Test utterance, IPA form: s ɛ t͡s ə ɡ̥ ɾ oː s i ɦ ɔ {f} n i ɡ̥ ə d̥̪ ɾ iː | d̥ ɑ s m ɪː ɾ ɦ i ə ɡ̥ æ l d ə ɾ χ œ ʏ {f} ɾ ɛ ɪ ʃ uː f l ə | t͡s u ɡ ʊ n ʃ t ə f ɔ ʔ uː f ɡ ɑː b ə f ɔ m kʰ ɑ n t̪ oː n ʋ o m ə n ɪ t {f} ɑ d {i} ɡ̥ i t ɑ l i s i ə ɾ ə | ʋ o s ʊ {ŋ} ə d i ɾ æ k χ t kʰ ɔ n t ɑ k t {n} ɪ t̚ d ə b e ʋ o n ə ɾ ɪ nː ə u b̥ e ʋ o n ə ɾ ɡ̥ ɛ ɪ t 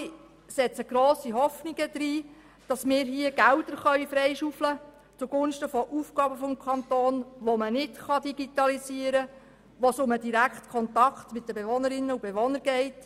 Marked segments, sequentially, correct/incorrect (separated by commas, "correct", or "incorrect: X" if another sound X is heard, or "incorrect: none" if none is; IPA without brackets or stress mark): correct, correct, incorrect: χ, correct, incorrect: m, incorrect: m